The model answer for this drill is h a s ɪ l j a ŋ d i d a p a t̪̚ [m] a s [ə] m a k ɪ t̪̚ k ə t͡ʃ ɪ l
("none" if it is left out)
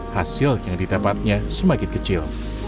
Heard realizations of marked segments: ɲ, ə

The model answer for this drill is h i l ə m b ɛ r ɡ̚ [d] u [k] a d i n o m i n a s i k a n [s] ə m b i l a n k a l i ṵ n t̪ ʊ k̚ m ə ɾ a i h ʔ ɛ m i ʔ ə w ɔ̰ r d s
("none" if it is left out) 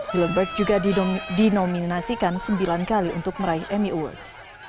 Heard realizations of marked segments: d͡ʒ, ɡ, s

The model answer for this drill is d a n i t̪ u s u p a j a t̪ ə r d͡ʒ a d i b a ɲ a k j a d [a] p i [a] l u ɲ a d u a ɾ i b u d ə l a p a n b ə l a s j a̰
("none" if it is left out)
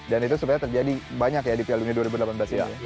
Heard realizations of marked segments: i, a

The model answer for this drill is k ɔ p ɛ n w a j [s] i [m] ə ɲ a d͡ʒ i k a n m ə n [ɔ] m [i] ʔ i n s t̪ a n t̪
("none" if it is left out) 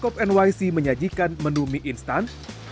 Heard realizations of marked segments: s, m, u, i

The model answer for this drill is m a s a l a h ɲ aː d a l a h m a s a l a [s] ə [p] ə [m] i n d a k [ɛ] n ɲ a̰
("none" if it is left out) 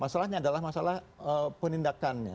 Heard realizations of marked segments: h, p, n, a

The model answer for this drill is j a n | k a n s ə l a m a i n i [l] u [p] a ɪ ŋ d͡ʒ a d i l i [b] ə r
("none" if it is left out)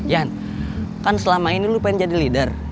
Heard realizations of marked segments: l, p, d

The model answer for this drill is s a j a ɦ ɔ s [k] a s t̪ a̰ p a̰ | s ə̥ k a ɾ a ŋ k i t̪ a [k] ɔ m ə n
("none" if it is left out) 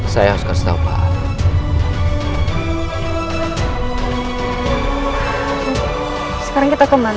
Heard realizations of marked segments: k, k

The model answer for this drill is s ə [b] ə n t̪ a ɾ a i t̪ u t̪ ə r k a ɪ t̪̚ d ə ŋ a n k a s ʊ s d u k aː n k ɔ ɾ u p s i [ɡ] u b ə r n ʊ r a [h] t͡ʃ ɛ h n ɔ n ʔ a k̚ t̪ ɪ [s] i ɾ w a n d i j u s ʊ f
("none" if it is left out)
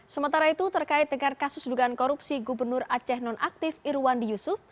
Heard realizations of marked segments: m, ɡ, none, f

